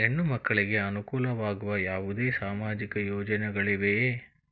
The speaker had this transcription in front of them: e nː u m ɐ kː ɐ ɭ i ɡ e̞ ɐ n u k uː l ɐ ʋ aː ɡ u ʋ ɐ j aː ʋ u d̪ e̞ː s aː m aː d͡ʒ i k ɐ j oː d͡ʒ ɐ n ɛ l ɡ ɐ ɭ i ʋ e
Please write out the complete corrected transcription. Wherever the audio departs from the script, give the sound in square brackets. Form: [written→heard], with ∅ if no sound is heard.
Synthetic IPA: e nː u m ɐ kː ɐ ɭ i ɡ e̞ ɐ n u k uː l ɐ ʋ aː ɡ u ʋ ɐ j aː ʋ u d̪ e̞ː s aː m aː d͡ʒ i k ɐ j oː d͡ʒ ɐ n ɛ [l→∅] ɡ ɐ ɭ i ʋ e